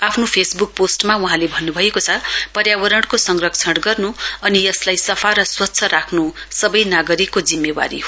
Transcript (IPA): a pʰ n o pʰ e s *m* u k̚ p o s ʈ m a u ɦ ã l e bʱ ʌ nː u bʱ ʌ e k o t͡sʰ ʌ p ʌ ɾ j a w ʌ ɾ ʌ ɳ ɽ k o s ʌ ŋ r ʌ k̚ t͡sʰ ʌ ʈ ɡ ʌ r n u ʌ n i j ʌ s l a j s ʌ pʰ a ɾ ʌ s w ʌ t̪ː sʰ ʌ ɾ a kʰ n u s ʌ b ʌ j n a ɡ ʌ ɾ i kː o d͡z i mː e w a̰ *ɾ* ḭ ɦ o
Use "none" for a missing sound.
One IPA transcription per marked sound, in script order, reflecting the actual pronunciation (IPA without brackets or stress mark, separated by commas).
b, ɾ